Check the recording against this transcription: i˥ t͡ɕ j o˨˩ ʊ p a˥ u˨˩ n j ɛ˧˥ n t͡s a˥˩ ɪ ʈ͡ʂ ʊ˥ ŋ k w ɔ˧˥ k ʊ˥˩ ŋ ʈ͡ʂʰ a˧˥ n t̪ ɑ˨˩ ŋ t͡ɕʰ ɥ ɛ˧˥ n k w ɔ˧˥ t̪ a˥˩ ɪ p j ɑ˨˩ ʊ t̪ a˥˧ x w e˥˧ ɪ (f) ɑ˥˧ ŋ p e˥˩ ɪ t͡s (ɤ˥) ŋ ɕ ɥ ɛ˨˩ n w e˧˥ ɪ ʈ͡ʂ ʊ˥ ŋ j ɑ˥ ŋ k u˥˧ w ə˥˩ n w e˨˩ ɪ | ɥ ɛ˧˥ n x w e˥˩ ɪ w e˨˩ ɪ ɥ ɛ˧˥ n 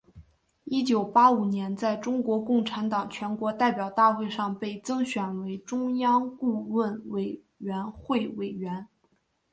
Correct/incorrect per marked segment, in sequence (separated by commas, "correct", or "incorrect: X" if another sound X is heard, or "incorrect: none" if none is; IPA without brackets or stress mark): incorrect: ʂ, correct